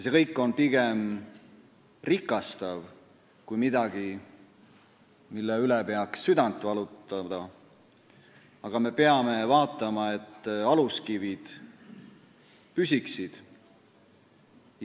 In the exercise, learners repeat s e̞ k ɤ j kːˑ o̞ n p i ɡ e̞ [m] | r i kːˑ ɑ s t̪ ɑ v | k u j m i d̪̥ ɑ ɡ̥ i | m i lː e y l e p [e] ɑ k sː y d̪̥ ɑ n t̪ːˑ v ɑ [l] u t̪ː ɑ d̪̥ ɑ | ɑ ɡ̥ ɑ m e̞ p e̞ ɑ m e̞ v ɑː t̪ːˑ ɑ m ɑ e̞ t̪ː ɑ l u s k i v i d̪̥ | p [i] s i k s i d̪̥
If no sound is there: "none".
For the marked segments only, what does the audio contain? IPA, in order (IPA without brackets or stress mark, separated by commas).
m, e, l, y